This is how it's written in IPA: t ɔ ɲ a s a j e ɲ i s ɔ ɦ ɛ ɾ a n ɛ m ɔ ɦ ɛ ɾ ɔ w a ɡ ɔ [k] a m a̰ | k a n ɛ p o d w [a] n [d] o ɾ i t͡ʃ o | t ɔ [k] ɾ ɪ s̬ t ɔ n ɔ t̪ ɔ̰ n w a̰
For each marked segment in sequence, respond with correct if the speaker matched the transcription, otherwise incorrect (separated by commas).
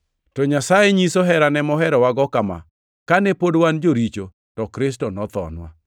correct, correct, incorrect, correct